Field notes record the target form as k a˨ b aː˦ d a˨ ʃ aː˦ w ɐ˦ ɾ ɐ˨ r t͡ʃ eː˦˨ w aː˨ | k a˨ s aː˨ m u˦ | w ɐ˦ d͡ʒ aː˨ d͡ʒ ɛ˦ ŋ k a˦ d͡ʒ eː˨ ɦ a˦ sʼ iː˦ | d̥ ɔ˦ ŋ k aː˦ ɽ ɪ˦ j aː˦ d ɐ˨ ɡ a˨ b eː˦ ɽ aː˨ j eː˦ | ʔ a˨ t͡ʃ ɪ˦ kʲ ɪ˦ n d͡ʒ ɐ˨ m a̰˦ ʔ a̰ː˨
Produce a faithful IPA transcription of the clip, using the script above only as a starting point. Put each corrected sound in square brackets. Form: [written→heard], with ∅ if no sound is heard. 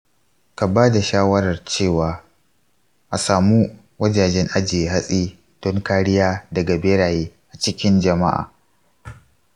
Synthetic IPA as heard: k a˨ b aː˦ d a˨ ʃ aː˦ w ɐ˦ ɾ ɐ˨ r t͡ʃ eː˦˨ w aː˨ | [k→ʔ] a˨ s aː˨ m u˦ | w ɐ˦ d͡ʒ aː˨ d͡ʒ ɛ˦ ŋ [k→ʔ] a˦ d͡ʒ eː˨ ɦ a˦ sʼ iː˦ | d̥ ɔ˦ ŋ k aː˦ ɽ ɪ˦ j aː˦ d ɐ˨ ɡ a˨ b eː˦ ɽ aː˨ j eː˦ | ʔ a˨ t͡ʃ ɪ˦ kʲ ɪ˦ n d͡ʒ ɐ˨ m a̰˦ ʔ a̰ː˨